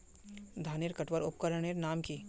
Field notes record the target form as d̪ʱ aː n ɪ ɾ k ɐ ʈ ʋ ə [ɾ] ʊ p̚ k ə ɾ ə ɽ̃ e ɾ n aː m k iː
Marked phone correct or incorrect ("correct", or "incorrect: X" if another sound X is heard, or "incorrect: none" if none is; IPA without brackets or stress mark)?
correct